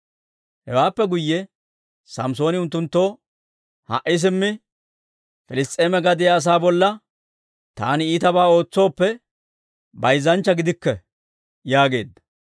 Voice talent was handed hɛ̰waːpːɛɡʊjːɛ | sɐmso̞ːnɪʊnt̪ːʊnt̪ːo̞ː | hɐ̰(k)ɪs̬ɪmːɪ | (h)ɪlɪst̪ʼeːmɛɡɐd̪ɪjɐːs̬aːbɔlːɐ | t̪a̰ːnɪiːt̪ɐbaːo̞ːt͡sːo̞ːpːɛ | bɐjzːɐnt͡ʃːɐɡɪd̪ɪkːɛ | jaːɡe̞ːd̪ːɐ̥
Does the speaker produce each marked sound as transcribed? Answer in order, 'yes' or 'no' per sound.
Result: no, no

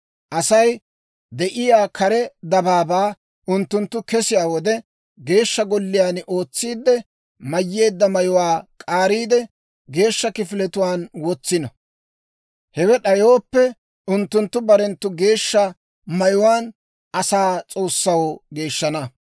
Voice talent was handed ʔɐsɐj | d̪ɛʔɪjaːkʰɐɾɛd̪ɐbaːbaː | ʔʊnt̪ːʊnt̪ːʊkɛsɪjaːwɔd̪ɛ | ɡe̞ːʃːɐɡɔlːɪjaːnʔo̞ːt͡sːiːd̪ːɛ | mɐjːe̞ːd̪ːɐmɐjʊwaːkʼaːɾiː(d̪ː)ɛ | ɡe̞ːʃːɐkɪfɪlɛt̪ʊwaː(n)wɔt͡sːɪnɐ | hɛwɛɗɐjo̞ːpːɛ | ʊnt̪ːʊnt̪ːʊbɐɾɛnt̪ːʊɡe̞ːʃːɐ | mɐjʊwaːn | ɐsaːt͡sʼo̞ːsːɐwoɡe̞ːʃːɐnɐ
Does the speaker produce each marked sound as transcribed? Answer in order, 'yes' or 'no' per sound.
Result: no, yes

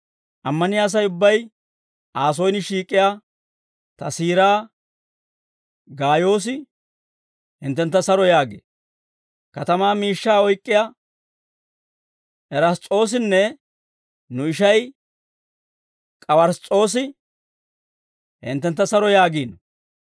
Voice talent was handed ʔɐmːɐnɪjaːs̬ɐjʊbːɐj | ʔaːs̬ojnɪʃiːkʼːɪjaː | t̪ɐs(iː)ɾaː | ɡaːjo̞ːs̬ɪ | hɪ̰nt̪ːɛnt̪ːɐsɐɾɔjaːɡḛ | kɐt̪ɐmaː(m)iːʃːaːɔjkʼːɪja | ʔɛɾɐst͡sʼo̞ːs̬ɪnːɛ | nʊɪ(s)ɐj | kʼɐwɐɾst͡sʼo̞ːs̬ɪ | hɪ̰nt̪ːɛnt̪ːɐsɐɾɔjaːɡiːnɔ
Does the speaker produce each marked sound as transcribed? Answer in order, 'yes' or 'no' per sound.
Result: yes, yes, no

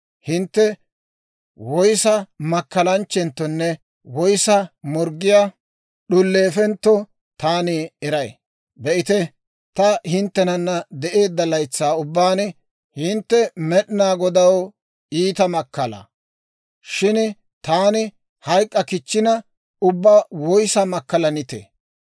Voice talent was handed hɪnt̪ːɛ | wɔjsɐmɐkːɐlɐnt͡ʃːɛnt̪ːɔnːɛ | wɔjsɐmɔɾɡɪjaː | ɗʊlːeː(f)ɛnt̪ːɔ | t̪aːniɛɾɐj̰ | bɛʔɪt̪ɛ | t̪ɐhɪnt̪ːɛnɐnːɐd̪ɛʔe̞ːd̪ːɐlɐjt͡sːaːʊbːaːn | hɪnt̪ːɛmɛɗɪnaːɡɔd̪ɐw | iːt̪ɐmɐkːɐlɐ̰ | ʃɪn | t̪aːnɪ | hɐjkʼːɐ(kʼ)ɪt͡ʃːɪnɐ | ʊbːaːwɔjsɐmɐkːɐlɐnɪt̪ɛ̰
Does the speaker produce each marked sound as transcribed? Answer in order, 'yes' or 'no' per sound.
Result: yes, no

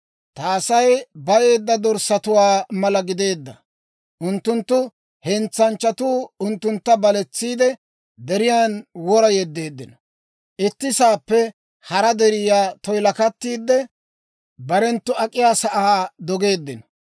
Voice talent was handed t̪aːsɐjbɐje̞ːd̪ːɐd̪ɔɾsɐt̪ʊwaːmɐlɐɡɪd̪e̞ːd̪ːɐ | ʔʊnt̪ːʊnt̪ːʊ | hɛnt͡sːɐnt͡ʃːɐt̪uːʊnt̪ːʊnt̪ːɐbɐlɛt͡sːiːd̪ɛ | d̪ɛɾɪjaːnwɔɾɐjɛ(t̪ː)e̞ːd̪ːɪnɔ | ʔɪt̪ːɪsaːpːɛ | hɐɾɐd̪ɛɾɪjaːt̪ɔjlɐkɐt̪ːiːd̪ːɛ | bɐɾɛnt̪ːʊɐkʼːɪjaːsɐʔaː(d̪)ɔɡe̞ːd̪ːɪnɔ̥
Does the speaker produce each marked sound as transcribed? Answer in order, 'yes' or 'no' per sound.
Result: no, yes

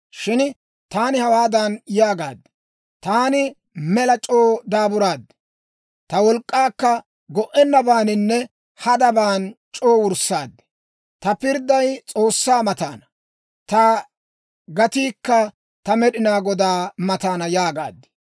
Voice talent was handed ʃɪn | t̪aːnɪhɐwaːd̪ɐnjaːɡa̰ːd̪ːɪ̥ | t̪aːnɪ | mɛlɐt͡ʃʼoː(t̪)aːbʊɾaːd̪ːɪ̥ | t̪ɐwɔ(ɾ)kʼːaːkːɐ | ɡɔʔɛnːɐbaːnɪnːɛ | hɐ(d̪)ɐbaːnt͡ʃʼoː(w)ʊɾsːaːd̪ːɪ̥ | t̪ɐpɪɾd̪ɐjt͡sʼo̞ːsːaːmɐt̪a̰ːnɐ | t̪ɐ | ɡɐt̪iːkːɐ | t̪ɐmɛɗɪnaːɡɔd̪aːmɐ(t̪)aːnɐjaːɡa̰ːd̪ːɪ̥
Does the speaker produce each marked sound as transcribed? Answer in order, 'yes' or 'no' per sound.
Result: no, no, yes, yes, yes

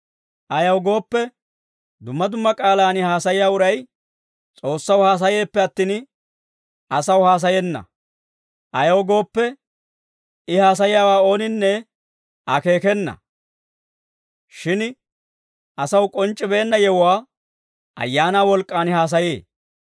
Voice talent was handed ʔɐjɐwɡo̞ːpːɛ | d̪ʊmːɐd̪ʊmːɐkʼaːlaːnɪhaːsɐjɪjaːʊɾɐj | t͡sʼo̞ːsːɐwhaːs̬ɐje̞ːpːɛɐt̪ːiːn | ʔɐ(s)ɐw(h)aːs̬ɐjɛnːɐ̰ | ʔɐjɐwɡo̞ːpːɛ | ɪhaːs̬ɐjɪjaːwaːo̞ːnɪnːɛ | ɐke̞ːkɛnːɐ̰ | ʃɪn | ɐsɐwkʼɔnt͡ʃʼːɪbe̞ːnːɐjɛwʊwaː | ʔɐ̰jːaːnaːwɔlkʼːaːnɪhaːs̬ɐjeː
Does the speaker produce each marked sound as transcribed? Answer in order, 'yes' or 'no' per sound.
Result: yes, yes

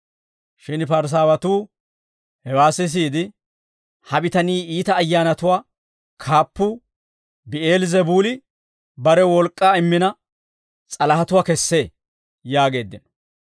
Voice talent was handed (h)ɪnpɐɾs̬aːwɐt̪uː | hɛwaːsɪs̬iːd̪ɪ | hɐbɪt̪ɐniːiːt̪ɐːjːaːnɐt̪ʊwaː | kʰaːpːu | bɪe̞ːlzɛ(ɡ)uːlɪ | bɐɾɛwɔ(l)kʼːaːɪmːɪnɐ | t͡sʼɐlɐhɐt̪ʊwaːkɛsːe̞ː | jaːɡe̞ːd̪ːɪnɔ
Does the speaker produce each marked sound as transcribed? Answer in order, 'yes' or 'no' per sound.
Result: no, no, yes

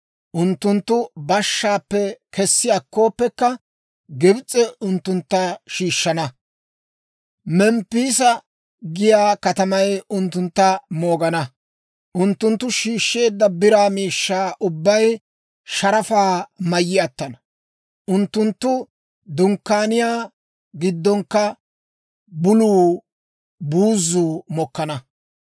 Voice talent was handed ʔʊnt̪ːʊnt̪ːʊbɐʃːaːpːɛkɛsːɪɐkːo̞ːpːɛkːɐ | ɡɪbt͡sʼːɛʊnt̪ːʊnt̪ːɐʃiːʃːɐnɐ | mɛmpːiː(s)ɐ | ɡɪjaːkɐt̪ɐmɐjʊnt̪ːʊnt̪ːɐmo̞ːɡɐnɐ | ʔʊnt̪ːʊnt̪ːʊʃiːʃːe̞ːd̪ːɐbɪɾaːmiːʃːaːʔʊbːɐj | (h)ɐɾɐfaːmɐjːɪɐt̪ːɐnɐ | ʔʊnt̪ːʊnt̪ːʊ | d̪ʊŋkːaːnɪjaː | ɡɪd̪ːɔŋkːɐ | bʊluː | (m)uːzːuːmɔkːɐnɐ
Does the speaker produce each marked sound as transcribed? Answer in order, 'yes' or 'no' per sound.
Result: yes, no, no

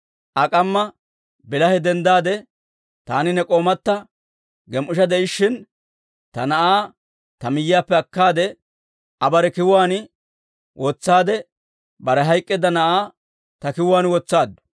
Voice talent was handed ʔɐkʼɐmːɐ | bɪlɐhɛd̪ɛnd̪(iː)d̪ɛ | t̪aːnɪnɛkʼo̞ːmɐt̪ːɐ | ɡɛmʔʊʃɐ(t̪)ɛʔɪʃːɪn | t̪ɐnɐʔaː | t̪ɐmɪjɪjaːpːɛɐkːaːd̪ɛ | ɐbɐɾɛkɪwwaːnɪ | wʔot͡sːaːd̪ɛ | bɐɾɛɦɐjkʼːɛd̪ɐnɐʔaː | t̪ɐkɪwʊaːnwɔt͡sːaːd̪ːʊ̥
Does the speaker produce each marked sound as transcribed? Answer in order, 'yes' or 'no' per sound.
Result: no, no

